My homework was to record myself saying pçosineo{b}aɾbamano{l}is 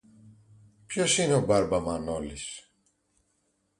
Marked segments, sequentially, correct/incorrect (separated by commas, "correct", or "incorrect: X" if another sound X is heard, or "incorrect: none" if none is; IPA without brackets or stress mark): correct, correct